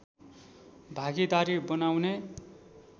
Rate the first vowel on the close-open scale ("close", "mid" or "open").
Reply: open